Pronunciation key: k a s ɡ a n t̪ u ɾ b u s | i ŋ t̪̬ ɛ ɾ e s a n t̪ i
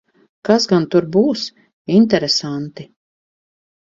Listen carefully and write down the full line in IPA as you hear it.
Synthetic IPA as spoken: k a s ɡ a n t̪ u ɾ b uː s | i n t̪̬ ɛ ɾ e s a n t̪ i